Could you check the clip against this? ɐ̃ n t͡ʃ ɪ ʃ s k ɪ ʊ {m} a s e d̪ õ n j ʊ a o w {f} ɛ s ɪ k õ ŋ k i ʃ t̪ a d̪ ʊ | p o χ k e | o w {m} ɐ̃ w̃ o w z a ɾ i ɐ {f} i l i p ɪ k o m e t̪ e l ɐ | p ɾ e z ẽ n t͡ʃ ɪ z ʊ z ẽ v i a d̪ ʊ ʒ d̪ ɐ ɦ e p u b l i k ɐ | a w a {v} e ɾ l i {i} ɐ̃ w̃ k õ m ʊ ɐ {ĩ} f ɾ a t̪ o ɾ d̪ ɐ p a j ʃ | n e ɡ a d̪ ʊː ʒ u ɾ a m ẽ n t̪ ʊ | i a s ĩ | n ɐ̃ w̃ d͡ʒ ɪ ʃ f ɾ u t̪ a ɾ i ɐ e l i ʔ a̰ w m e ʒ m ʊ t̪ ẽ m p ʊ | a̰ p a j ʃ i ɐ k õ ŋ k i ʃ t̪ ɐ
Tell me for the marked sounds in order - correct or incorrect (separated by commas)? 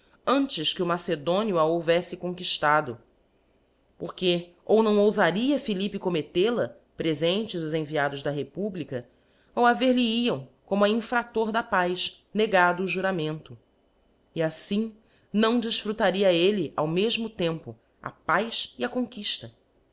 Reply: correct, incorrect, incorrect, correct, correct, correct, correct